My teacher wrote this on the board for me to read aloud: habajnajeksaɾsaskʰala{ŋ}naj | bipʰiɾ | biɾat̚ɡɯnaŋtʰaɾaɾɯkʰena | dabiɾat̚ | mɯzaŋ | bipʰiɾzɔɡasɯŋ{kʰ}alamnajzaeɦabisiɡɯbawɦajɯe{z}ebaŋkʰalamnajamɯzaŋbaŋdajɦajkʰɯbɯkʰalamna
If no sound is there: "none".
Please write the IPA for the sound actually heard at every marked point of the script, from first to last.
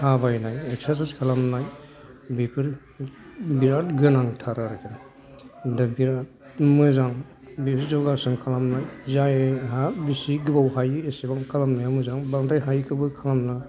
m, kʰ, s

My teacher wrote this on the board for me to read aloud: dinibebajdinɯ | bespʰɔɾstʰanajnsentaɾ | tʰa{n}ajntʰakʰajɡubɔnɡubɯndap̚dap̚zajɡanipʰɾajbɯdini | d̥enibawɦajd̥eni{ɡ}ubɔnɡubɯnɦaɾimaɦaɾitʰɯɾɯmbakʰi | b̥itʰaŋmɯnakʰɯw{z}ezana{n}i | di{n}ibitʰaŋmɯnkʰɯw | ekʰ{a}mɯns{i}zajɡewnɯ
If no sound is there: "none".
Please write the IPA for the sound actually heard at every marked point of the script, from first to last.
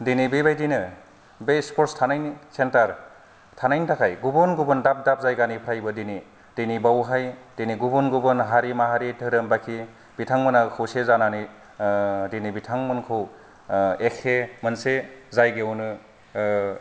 n, ɡ, s, n, n, e, e

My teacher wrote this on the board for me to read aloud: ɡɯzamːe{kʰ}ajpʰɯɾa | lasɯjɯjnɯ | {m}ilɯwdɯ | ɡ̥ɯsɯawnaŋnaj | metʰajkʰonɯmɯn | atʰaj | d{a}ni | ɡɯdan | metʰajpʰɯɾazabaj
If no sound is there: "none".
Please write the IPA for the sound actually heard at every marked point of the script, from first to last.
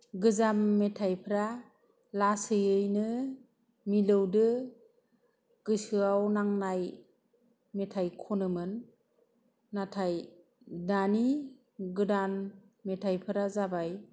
tʰ, m, a

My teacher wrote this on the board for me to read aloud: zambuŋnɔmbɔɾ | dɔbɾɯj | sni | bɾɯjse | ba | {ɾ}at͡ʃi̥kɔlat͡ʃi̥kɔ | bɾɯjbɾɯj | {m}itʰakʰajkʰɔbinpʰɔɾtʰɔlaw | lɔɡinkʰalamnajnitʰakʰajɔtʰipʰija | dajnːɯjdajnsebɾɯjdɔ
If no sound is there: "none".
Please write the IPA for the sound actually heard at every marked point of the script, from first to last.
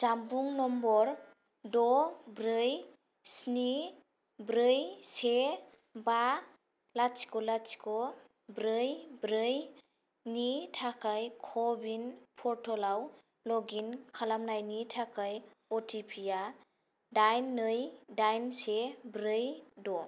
l, n

